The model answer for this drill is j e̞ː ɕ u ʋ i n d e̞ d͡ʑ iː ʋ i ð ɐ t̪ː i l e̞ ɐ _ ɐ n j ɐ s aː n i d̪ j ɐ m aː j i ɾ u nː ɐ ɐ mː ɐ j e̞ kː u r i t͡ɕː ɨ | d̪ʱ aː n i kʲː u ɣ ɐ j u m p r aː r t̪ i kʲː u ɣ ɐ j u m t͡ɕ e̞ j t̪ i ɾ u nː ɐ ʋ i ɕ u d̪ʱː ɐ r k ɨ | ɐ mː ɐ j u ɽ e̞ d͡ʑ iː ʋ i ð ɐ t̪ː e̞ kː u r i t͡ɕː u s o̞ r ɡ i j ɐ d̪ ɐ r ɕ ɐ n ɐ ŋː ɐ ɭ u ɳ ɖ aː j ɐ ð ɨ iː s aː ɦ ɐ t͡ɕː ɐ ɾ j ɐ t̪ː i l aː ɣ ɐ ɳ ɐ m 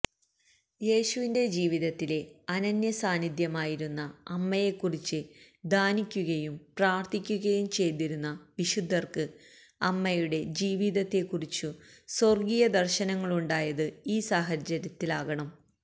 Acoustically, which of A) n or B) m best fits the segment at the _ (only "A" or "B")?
A